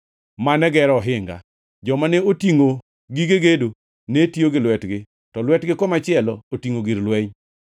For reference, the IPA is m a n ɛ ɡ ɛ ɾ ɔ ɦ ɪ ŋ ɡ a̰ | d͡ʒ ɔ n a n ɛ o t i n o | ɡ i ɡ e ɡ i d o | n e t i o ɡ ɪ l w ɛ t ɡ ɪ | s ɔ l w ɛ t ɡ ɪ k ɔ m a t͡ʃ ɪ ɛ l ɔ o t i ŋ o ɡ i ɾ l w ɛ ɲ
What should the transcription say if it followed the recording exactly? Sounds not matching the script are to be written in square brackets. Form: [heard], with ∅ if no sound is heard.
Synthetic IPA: m a n ɛ ɡ ɛ ɾ ɔ ɦ ɪ ŋ ɡ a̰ | d͡ʒ ɔ [m] a n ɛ o t i [ŋ] o | ɡ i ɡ e ɡ [e] d o | n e t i o ɡ ɪ l w ɛ t ɡ ɪ | [t] ɔ l w ɛ t ɡ ɪ k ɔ m a t͡ʃ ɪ ɛ l ɔ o t i ŋ o ɡ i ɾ l w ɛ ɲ